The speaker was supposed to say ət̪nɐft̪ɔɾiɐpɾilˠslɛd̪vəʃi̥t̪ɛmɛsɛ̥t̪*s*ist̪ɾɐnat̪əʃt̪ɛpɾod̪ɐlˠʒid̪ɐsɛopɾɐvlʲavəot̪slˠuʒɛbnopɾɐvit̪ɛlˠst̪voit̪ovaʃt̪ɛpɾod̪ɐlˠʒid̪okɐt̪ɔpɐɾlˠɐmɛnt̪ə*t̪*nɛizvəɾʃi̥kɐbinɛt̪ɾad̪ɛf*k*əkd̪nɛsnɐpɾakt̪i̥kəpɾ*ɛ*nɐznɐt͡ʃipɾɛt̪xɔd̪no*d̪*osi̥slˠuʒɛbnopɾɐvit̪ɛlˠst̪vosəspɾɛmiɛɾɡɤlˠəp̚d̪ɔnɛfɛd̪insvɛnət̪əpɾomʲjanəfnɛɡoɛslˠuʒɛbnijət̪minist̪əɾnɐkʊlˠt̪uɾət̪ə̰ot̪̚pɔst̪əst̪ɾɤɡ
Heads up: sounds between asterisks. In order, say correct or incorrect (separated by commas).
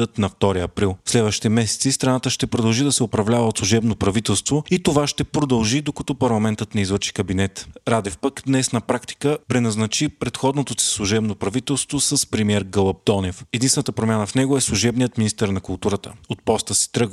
correct, correct, incorrect, correct, incorrect